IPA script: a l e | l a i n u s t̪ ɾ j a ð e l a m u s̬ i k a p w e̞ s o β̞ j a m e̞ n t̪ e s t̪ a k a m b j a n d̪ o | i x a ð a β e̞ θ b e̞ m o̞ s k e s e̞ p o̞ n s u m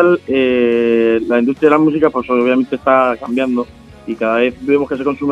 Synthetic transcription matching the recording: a l e | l a i n u s t̪ ɾ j a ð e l a m u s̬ i k a p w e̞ s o β̞ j a m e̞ n t̪ e s t̪ a k a m b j a n d̪ o | i k a ð a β e̞ θ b e̞ m o̞ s k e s e̞ k o̞ n s u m